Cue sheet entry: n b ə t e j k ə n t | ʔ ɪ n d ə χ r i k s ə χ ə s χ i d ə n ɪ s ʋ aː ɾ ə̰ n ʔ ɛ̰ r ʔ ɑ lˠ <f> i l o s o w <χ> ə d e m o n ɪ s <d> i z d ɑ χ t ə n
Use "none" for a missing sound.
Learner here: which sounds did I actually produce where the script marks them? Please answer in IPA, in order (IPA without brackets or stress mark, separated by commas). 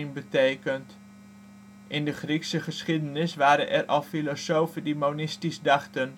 f, f, t